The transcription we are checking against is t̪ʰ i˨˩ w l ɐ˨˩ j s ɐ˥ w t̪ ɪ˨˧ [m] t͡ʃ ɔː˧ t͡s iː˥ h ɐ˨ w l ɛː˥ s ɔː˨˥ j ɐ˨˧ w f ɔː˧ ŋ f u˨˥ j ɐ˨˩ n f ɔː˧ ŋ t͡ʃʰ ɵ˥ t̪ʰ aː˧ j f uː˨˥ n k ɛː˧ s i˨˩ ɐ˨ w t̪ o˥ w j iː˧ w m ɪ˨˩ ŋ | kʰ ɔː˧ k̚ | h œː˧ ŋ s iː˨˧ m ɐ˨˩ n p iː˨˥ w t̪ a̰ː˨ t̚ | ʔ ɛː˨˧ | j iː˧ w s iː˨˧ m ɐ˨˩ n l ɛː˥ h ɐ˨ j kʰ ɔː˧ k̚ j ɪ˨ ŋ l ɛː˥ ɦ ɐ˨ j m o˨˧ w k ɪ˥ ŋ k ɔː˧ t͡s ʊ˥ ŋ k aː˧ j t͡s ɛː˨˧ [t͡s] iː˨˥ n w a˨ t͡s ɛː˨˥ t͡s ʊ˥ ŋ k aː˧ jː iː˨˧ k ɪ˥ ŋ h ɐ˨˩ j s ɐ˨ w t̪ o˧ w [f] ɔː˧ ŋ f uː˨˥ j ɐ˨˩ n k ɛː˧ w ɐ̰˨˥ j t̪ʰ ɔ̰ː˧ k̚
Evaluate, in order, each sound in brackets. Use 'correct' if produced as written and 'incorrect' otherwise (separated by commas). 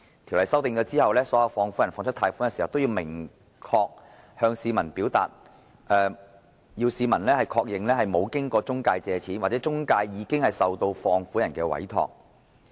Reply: incorrect, incorrect, correct